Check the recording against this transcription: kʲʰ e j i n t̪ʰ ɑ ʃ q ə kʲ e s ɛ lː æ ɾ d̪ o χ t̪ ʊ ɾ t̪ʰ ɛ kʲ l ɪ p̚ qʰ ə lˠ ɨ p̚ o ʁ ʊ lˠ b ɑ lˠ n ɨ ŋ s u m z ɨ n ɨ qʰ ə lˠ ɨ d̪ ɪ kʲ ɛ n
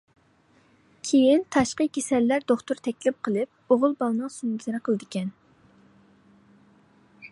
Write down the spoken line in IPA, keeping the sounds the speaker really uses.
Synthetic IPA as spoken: kʲʰ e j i n t̪ʰ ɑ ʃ q ə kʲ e s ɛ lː æ ɾ d̪ o χ t̪ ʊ ɾ t̪ʰ ɛ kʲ l ɪ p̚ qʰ ə lˠ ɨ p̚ o ʁ ʊ lˠ b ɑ lˠ n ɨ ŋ s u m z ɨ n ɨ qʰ ə lˠ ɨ d̪ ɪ kʲ ɛ n